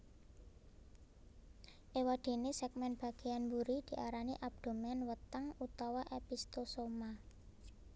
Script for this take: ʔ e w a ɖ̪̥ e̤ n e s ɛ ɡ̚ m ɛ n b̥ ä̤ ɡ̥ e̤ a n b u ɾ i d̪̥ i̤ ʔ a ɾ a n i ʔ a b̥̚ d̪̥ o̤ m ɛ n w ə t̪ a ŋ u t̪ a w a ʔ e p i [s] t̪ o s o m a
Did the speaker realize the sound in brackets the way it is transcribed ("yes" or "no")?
yes